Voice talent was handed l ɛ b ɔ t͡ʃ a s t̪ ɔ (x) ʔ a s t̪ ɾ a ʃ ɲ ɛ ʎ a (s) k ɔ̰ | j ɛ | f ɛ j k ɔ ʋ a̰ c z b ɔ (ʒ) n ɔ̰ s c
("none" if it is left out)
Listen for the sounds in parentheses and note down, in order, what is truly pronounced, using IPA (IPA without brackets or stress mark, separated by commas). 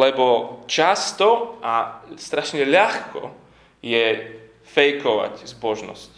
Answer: none, x, ʒ